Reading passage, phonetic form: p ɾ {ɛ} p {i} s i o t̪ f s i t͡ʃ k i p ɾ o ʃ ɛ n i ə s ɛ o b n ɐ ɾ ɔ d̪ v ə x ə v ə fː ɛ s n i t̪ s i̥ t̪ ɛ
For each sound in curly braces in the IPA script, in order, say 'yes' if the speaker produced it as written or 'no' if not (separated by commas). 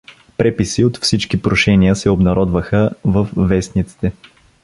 yes, yes